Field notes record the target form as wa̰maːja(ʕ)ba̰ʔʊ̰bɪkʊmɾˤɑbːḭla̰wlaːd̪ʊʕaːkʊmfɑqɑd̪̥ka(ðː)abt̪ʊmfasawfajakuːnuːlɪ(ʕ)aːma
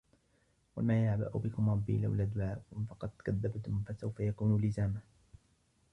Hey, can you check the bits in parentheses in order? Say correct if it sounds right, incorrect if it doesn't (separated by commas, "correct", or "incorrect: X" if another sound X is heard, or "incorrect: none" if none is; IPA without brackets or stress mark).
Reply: correct, correct, incorrect: z